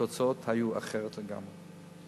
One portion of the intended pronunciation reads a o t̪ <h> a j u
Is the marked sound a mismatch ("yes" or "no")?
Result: no